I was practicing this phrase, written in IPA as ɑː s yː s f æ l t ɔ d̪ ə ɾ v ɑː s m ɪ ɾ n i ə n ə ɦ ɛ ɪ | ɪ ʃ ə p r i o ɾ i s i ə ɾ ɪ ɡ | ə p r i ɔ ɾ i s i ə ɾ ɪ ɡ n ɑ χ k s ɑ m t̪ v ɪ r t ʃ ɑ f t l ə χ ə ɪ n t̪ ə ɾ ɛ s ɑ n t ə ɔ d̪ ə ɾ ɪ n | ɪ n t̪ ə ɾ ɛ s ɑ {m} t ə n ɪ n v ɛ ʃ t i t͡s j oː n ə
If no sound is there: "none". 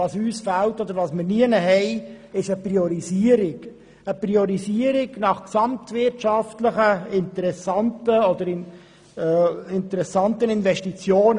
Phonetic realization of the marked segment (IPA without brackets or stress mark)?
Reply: n